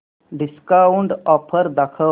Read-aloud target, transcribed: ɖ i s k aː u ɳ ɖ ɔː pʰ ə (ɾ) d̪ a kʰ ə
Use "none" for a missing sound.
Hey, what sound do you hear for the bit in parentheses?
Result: ɾ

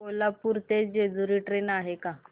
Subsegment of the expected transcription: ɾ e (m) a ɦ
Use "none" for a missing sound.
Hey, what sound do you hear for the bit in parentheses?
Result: n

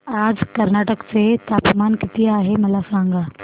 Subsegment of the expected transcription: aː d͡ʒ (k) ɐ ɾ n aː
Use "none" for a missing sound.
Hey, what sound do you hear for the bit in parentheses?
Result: k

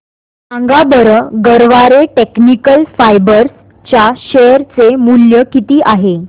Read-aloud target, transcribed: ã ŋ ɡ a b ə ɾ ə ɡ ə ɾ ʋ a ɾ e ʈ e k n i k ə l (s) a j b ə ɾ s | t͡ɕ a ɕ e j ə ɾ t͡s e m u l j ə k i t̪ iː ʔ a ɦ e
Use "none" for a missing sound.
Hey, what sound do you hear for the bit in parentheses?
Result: f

